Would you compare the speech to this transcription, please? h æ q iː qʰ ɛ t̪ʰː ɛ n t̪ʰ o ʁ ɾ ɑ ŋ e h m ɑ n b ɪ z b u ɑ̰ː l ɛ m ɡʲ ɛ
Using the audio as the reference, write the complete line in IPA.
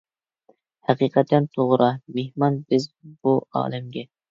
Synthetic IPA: h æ q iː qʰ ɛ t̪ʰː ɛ n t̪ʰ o ʁ ɾ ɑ m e h m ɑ n b ɪ z b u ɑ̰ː l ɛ m ɡʲ ɛ

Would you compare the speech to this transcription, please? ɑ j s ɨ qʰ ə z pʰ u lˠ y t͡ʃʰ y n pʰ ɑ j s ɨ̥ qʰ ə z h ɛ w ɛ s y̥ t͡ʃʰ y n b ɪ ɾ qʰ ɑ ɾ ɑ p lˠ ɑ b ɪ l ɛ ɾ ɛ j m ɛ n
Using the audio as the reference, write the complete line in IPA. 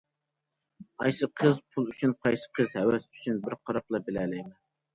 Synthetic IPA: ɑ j s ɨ qʰ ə z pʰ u lˠ y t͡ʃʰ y n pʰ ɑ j s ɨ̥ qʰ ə z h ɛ w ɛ s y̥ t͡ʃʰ y n b ɪ ɾ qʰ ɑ ɾ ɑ p lˠ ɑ b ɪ l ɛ l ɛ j m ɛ n

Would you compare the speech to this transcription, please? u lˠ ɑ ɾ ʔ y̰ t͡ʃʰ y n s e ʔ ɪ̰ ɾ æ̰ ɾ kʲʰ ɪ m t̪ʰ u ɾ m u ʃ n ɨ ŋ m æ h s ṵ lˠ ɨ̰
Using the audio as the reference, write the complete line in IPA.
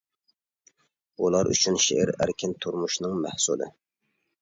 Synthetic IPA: u lˠ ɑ ɾ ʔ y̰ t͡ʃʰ y n ʃ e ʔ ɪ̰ ɾ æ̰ ɾ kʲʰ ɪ n t̪ʰ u ɾ m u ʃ n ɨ ŋ m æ h s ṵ lˠ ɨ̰

